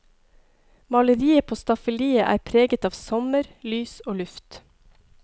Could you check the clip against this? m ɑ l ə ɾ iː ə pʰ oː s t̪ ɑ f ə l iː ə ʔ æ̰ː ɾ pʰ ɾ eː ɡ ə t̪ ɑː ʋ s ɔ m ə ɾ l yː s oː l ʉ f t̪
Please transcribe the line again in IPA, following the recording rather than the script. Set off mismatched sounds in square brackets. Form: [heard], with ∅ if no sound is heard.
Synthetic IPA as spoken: m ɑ l ə ɾ iː ə pʰ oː s t̪ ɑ f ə l iː ə ʔ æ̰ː ɾ pʰ ɾ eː ɡ ə t̪ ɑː ʋ s ɔ m ə ɾ l yː s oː l ʉ f t̪